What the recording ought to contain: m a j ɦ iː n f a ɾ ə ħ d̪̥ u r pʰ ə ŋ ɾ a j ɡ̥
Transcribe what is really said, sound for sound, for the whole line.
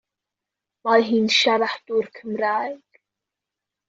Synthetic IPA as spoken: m a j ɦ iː n ʃ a ɾ a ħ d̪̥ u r kʰ ə m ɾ a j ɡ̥